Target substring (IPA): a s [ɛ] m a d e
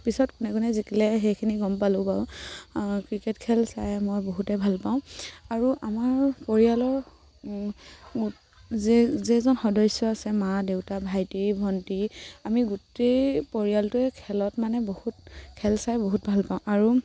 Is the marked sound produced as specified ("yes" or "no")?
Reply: yes